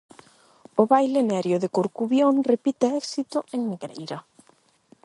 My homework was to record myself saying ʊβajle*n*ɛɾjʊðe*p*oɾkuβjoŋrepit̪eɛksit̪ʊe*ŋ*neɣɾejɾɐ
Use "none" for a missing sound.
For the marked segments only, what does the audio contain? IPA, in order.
n, k, ŋ

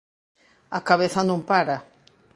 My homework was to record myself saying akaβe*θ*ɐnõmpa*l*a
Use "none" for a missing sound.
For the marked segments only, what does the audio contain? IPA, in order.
θ, ɾ

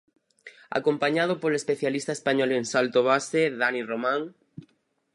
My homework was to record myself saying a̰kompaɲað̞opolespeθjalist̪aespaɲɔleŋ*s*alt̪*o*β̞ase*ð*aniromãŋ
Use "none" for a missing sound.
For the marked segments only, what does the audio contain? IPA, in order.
s, o, ð

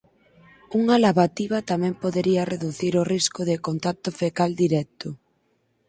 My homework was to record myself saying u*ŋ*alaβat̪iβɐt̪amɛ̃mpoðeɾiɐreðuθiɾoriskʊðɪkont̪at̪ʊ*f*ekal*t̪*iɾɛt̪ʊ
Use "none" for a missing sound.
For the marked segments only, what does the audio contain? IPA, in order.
ŋ, f, d̪

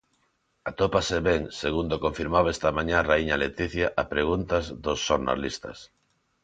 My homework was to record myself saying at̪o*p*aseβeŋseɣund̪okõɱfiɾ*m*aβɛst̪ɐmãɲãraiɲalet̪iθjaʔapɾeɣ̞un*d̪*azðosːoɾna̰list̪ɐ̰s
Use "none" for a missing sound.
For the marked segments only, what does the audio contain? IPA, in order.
p, m, t̪

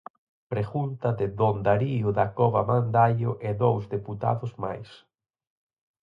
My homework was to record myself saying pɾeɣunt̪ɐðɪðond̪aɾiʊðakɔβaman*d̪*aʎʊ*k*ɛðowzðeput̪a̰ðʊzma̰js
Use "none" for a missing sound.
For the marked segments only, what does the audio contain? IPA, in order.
d̪, ʔ

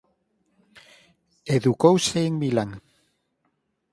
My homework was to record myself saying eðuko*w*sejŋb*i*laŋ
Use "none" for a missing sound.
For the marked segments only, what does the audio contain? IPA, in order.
w, i

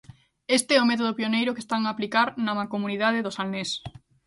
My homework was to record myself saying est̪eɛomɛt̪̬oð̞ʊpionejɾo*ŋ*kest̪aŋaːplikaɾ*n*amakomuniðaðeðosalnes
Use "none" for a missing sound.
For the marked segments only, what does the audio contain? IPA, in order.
none, n

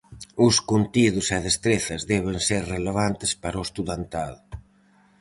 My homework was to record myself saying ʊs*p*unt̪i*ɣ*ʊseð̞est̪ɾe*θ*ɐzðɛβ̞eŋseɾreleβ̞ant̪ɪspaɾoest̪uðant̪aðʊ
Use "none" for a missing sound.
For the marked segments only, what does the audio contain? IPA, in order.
k, ð, θ

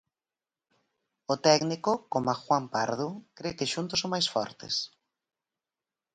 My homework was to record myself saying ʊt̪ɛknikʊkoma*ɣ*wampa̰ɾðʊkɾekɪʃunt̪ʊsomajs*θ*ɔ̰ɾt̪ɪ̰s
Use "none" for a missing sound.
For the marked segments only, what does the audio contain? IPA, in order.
x, f

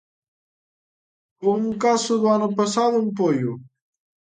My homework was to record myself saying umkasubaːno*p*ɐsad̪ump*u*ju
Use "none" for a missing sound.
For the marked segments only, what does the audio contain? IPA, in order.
p, o

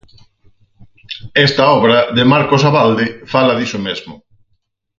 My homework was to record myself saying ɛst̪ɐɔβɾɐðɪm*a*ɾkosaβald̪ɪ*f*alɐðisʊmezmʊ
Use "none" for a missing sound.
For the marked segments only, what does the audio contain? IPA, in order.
a, f

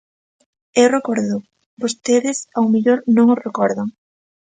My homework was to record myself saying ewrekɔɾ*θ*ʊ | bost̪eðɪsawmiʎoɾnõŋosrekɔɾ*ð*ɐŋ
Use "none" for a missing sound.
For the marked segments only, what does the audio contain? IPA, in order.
ð, ð

